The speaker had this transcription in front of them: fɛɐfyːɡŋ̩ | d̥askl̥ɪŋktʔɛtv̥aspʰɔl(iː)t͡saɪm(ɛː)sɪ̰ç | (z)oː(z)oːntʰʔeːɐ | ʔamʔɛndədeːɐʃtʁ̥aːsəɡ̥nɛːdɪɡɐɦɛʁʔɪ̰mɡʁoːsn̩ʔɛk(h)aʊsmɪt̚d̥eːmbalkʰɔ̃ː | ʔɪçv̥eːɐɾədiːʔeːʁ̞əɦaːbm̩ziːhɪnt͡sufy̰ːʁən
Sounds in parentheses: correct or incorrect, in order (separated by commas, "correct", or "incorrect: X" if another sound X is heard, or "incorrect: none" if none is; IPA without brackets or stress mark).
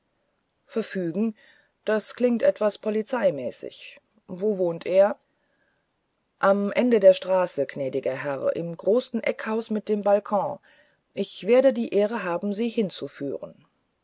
incorrect: i, correct, incorrect: v, incorrect: v, correct